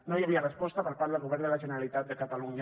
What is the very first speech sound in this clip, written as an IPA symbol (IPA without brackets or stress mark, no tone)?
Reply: n